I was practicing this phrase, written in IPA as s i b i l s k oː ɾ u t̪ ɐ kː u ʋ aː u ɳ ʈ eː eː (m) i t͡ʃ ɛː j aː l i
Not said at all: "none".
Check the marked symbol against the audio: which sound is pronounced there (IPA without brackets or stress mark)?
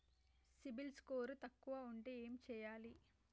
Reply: m